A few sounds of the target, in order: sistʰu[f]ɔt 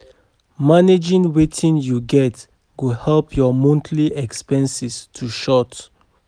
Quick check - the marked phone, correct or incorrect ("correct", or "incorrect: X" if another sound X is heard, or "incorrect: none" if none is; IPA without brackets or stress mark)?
incorrect: ʃ